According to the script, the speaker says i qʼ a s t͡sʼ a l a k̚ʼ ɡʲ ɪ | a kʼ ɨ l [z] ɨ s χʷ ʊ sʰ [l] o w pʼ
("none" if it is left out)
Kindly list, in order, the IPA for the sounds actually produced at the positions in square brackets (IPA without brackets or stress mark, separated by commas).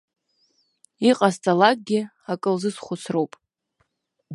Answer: z, r